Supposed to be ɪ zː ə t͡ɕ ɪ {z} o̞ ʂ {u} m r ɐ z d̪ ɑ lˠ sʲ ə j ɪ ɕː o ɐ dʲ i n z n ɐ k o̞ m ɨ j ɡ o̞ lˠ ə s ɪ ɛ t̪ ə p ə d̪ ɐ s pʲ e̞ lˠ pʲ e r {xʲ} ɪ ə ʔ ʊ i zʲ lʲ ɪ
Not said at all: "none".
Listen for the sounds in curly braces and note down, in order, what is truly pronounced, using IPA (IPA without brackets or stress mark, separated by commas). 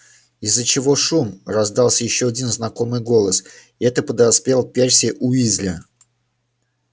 v, u, sʲ